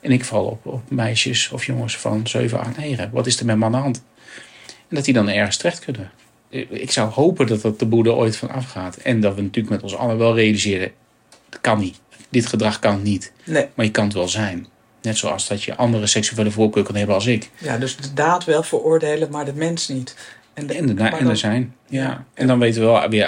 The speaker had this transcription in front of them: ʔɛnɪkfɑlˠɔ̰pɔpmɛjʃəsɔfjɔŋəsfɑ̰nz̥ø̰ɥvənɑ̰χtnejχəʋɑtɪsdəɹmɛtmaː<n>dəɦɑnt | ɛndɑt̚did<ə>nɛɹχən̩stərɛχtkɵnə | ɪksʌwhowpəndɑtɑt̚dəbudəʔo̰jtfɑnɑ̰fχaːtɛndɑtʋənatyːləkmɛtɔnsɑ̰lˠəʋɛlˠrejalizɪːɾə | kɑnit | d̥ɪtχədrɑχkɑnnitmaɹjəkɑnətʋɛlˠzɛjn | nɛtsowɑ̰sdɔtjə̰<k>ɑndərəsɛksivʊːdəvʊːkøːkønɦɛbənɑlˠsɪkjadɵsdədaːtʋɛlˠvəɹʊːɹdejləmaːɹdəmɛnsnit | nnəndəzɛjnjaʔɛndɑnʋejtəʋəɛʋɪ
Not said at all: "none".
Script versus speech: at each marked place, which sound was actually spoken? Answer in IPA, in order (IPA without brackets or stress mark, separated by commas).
n, ɑ, ʔ